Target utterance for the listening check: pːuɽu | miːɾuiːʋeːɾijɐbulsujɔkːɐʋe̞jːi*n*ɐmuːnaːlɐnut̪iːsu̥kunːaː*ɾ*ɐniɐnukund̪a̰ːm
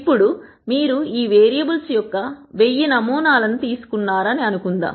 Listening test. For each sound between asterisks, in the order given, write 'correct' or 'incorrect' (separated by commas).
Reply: correct, correct